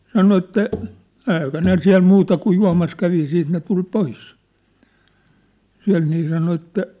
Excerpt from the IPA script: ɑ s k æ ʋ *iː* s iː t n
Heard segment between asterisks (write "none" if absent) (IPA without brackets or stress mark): i